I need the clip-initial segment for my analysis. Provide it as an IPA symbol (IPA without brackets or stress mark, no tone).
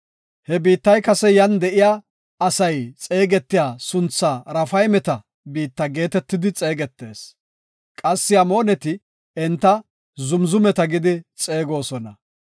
h